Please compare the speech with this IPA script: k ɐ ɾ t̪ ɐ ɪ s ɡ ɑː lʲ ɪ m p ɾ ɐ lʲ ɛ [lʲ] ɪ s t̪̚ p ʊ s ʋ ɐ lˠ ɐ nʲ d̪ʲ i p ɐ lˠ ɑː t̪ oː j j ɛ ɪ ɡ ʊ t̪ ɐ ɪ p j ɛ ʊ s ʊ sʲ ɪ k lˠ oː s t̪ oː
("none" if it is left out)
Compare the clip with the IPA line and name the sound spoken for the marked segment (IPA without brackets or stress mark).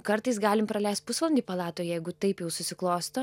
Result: none